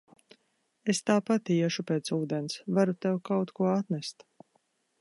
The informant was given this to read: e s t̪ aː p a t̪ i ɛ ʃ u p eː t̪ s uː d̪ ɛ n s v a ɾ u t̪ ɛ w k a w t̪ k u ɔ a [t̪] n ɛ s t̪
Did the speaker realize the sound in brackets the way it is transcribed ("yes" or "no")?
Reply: yes